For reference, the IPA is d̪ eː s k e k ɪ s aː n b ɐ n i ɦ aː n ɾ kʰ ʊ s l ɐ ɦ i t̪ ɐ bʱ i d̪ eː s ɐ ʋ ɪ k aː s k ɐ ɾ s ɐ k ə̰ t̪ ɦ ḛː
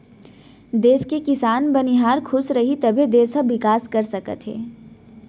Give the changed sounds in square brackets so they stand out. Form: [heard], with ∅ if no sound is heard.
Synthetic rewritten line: d̪ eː s k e k ɪ s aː n b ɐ n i ɦ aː [∅] ɾ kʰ ʊ s [ɾ] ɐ ɦ i t̪ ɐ bʱ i d̪ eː s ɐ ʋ ɪ k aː s k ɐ ɾ s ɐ k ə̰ t̪ ɦ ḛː